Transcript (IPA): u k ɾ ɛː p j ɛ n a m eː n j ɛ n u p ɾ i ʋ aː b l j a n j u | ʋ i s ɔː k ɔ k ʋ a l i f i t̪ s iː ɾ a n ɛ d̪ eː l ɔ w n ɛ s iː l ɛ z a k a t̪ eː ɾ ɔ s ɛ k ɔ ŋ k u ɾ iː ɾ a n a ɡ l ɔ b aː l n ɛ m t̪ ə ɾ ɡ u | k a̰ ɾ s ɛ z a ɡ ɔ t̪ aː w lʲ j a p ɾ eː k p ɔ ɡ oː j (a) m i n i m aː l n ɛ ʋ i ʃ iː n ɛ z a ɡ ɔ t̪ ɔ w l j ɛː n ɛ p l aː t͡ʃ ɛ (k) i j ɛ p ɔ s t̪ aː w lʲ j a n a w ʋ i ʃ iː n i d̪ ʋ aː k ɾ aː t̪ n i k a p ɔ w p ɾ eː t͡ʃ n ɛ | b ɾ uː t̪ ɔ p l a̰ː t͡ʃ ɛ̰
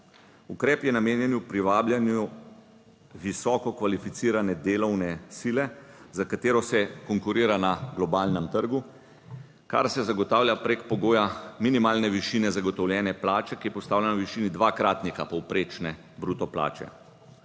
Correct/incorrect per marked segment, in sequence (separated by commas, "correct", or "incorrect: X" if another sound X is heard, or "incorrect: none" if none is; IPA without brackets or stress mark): correct, correct